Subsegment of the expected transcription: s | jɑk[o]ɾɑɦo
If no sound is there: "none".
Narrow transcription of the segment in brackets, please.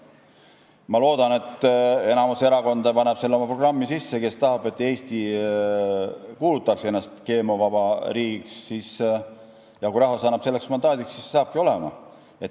u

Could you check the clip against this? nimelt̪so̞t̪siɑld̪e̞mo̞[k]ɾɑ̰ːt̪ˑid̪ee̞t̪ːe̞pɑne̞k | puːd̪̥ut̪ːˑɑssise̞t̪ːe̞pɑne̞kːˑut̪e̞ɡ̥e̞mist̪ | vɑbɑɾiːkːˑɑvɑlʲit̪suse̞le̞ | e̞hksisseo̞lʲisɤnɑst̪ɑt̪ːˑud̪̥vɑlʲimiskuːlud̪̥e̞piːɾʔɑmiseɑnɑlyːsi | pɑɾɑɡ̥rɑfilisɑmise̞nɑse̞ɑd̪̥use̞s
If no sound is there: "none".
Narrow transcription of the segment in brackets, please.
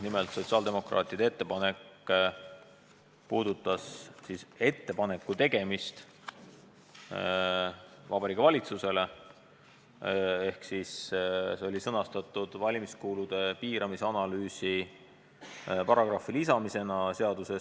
k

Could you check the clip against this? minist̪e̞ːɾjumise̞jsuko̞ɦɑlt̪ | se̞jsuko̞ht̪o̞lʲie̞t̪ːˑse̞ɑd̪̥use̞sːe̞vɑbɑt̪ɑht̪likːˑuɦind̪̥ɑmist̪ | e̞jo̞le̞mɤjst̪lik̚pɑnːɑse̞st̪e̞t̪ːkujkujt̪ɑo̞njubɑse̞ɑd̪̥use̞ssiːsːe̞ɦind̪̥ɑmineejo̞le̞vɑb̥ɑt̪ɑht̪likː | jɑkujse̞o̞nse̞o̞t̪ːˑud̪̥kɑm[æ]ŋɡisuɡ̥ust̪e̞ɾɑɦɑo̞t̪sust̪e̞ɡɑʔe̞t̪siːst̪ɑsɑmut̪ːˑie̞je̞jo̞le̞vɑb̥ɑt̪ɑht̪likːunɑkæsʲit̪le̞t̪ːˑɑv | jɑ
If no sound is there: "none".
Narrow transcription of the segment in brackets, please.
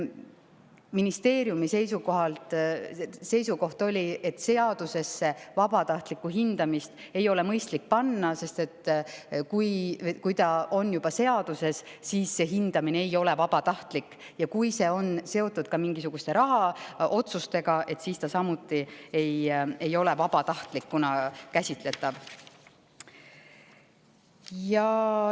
i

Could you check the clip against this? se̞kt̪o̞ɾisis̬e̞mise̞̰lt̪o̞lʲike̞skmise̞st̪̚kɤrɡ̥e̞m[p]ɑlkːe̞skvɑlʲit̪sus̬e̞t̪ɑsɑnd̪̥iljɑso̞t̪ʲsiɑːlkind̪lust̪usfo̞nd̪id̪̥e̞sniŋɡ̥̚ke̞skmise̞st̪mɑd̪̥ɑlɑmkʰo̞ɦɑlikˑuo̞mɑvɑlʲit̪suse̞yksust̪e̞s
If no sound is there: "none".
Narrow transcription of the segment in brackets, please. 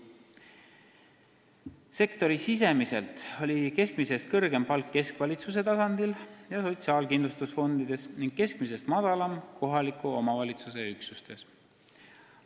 p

